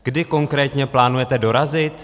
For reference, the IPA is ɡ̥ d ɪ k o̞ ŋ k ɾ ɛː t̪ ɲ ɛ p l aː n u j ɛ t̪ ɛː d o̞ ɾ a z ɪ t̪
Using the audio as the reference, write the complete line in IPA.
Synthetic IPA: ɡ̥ d ɪ k o̞ ŋ k ɾ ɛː t̪ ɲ ɛ p l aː n u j ɛ t̪ ɛ d o̞ ɾ a z ɪ t̪